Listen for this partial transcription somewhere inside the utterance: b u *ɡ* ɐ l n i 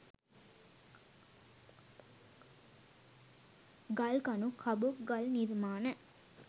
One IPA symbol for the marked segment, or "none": ɡ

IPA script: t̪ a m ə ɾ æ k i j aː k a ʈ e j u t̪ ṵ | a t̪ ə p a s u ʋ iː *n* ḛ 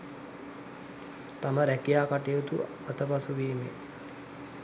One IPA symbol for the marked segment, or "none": m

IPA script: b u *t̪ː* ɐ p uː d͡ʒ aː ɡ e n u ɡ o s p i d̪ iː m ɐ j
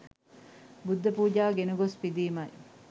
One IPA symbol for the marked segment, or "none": d̪ː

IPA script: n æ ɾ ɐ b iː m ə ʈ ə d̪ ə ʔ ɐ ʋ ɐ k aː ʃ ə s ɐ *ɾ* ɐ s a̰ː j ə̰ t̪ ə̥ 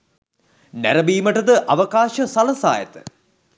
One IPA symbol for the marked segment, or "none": l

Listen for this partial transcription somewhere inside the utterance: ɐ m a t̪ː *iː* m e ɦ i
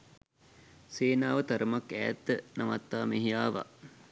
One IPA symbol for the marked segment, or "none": aː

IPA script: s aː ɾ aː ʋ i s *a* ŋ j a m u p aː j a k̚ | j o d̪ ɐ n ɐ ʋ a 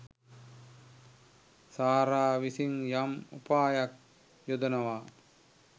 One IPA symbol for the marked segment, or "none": i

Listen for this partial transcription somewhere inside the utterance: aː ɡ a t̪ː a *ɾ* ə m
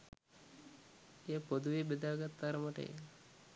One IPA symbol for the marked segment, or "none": ɾ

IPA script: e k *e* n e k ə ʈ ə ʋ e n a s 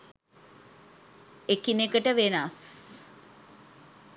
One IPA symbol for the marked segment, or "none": i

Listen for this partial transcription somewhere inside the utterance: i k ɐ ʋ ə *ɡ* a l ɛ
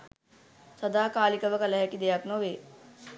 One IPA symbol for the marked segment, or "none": k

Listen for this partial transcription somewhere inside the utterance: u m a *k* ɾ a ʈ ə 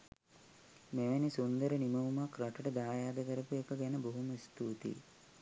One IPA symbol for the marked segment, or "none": k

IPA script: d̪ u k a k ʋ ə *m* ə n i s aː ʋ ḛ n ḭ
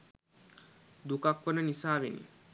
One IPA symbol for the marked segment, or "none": n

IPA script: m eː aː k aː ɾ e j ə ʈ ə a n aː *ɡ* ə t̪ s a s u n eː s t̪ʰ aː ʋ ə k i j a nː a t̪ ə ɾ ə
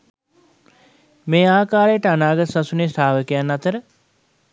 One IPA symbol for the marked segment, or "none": ɡ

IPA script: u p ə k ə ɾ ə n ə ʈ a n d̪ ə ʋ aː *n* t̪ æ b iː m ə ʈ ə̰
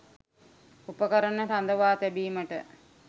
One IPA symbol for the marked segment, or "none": none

